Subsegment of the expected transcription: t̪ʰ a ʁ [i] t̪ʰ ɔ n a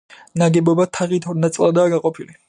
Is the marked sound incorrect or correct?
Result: correct